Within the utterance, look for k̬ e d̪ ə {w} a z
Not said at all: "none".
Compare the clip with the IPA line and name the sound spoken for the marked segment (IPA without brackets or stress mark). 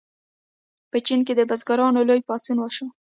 b